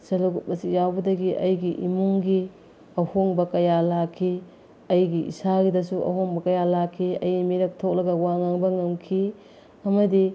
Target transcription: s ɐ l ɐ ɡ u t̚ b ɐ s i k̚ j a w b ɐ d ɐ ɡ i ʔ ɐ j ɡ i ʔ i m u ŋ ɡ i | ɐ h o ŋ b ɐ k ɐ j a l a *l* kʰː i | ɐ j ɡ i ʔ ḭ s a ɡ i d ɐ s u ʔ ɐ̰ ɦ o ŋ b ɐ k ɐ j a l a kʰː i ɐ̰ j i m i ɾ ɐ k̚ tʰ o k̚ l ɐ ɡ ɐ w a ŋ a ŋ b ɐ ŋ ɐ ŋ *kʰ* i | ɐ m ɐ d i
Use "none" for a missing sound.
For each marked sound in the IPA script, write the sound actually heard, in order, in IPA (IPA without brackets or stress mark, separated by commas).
none, kʰ